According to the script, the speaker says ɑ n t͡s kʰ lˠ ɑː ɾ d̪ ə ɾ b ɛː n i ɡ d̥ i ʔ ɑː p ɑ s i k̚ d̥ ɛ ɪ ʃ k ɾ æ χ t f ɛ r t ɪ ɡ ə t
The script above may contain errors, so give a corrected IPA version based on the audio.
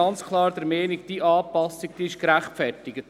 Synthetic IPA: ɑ n t͡s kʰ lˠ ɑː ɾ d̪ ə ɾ m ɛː n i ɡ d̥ i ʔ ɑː p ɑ s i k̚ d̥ i ɪ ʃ k ɾ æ χ t f ɛ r t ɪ ɡ ə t